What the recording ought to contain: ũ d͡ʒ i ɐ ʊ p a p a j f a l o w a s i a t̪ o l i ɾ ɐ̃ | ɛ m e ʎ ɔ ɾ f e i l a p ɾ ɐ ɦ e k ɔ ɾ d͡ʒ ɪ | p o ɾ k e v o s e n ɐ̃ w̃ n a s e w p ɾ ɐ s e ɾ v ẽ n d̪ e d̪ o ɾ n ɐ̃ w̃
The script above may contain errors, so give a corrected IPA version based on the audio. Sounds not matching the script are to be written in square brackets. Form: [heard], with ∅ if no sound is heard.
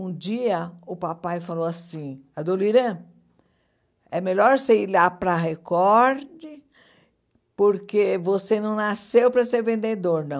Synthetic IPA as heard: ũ d͡ʒ i ɐ ʊ p a p a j f a l o w a s [ĩ] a [d̪] o l i ɾ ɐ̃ | ɛ m e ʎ ɔ ɾ [s] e i l a p ɾ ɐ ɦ e k ɔ ɾ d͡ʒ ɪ | p o ɾ k e v o s e n ɐ̃ w̃ n a s e w p ɾ ɐ s e ɾ v ẽ n d̪ e d̪ o ɾ n ɐ̃ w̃